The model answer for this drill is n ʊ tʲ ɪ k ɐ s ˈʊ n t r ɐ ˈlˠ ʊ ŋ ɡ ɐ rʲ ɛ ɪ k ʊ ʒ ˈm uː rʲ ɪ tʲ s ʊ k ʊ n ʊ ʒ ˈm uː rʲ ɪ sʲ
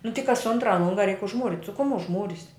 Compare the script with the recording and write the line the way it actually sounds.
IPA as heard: n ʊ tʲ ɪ k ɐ s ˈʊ n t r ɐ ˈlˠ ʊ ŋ ɡ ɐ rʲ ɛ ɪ k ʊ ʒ ˈm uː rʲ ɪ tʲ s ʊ k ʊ m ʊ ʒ ˈm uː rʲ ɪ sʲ